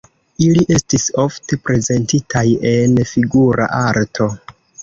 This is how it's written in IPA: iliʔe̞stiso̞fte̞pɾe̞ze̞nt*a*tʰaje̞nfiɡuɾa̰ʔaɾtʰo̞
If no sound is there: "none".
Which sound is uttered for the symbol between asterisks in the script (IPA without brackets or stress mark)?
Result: i